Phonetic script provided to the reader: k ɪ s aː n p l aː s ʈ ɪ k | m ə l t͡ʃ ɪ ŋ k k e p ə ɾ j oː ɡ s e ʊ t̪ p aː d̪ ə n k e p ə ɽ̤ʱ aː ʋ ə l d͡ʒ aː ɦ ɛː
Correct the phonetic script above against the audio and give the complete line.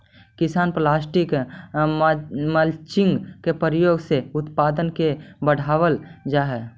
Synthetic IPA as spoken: k ɪ s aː n p l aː s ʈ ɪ k | m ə l t͡ʃ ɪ ŋ ɡ k e p ə ɾ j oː ɡ s e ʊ t̪ p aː d̪ ə n k e b ə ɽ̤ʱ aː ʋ ə l d͡ʒ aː ɦ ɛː